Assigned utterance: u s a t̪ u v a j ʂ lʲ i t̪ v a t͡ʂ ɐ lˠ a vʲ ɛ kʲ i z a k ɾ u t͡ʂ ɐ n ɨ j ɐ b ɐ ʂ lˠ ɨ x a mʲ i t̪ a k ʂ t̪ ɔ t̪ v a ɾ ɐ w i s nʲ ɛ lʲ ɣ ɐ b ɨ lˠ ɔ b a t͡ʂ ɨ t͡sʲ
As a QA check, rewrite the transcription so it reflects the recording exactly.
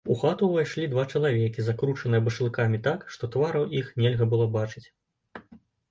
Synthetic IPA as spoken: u x a t̪ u v a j ʂ lʲ i d̪ v a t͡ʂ ɐ lˠ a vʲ ɛ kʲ i z a k ɾ u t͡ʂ ɐ n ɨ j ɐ b ɐ ʂ lˠ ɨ k a mʲ i t̪ a k ʂ t̪ ɔ t̪ v a ɾ ɐ w i x nʲ ɛ lʲ ɣ ɐ b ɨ lˠ ɔ b a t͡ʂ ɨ t͡sʲ